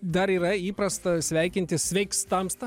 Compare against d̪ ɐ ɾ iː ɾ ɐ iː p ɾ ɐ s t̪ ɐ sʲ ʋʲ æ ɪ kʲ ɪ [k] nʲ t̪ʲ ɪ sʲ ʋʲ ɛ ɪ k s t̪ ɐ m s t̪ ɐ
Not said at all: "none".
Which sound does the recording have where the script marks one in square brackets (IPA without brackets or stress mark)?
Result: none